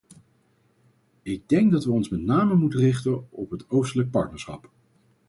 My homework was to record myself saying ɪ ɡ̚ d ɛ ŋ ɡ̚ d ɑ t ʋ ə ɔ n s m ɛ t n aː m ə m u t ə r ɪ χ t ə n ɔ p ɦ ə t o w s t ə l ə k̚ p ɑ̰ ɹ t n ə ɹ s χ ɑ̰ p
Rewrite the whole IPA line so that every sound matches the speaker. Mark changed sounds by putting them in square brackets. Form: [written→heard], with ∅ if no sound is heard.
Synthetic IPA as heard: ɪ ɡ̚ d ɛ ŋ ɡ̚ d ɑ t ʋ ə ɔ n s m ɛ t n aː m ə m u t ə r ɪ χ t ə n ɔ p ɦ ə t o w s t ə l ə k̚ p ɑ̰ ɹ t n ə ɹ s χ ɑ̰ p